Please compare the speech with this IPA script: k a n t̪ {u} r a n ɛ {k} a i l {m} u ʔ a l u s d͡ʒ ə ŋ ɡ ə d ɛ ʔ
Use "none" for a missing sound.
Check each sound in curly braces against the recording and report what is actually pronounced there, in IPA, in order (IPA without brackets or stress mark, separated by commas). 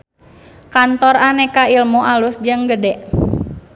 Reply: ɔ, k, m